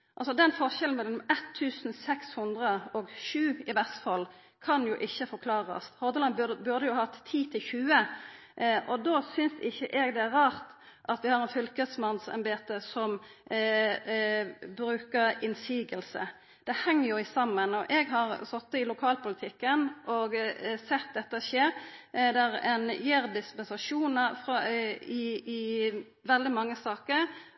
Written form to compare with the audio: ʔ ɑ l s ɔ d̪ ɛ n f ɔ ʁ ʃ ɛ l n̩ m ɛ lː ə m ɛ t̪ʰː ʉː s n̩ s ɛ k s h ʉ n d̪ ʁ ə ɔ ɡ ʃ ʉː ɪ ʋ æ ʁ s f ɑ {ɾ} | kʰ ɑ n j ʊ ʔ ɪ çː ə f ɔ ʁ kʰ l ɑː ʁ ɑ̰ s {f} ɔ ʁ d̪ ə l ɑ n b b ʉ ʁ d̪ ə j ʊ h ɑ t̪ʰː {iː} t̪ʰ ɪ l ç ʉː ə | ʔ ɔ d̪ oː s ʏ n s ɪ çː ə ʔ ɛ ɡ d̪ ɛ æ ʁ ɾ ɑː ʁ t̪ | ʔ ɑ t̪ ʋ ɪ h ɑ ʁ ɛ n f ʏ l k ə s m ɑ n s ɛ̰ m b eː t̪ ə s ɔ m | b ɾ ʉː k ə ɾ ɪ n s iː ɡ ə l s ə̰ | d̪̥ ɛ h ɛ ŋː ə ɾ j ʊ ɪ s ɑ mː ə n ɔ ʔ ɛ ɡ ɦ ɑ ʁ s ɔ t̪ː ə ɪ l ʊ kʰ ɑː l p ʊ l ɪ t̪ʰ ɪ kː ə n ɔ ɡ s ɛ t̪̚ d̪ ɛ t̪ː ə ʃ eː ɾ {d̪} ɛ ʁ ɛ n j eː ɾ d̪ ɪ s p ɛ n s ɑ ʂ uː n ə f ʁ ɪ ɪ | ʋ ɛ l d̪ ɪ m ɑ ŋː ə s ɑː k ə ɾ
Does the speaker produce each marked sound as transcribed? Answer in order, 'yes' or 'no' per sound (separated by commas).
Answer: no, no, yes, yes